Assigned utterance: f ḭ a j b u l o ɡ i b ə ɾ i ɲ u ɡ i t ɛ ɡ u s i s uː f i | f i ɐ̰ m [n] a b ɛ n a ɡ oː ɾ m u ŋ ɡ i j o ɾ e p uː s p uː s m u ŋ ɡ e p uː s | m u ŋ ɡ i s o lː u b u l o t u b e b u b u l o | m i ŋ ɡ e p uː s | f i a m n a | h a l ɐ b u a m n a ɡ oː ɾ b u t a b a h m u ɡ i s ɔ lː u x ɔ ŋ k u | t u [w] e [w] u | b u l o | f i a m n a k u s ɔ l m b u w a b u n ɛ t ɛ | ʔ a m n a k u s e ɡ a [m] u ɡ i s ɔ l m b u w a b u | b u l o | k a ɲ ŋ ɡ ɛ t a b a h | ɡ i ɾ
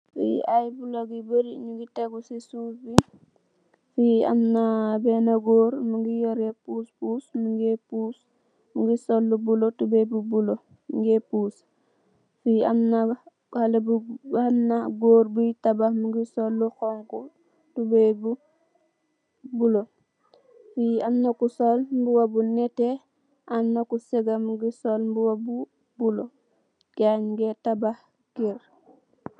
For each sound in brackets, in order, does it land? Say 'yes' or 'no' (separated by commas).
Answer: yes, no, no, yes